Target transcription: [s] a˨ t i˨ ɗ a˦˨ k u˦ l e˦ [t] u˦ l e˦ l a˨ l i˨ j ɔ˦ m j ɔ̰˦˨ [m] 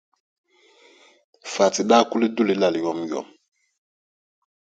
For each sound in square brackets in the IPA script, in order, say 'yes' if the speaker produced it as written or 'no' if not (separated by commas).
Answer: no, no, yes